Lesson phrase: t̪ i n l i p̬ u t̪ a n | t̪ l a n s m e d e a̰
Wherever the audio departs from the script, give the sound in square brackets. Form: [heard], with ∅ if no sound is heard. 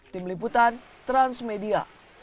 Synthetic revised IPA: t̪ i [m] l i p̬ u t̪ a n | t̪ [ɾ] a n s m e d [i] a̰